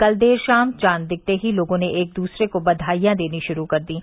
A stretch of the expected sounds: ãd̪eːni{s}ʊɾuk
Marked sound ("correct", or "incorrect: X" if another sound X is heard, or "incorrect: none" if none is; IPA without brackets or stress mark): incorrect: ʃ